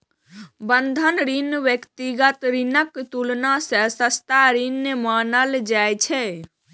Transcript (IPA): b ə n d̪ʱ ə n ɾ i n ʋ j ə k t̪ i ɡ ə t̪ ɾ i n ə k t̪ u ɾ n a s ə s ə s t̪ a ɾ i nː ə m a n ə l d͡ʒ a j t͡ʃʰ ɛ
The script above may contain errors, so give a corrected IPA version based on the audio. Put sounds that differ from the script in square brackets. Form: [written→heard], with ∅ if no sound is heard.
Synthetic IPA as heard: b ə n d̪ʱ ə n ɾ i n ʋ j ə k t̪ i ɡ ə t̪ ɾ i n ə k t̪ u [ɾ→l] n a s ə s ə s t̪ a ɾ i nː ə m a n ə l d͡ʒ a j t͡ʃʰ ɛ